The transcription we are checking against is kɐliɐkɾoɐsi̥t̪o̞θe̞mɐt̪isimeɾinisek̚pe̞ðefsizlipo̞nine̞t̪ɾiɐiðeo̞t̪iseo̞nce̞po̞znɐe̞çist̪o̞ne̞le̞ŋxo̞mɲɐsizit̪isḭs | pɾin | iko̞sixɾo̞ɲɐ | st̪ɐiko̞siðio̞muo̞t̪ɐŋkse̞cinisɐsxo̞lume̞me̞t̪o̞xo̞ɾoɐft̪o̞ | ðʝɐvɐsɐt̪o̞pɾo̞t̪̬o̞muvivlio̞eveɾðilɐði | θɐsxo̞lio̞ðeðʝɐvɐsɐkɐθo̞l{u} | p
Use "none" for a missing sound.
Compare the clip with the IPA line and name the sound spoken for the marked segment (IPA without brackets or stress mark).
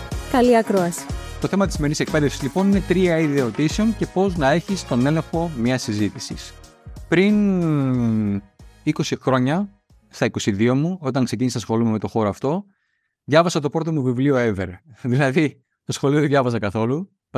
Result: u